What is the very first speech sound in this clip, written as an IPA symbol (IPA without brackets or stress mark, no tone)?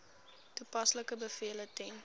t